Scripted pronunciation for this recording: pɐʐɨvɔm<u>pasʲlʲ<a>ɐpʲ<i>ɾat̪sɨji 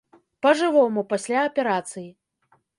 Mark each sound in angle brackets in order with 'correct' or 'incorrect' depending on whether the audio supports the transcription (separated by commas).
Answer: correct, correct, incorrect